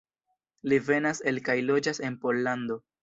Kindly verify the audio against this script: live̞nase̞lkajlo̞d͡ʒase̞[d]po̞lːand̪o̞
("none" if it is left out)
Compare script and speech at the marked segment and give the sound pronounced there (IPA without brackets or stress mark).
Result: n